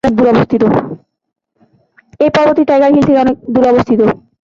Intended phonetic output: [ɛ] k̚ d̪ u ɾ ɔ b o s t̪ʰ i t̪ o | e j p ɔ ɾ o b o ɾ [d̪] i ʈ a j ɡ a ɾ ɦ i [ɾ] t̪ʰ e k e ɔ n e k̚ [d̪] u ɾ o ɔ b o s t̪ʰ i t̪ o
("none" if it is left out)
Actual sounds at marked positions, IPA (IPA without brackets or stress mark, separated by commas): e, t̪, l, d̪